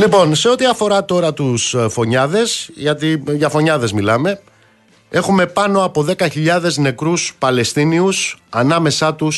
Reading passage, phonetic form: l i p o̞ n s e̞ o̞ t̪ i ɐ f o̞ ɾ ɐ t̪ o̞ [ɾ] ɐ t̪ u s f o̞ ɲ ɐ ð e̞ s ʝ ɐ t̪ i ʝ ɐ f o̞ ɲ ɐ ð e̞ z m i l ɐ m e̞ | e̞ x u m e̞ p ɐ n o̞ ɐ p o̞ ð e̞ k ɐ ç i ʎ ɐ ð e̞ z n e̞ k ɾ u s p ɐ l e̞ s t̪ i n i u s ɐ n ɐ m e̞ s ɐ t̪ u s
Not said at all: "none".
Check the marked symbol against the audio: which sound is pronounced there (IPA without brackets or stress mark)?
ɾ